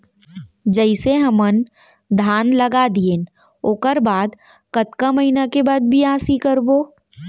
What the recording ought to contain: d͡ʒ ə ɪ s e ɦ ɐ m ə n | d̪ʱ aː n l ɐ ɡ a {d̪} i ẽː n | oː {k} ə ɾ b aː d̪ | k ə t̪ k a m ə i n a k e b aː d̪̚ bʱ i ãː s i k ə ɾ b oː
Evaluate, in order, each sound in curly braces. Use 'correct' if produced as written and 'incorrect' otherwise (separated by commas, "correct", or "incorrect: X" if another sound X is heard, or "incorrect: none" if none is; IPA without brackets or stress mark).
correct, correct